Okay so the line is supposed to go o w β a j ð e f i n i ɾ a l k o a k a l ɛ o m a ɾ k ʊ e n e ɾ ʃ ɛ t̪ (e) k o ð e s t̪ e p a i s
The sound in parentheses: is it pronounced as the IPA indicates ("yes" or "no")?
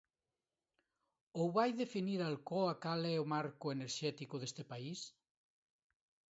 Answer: no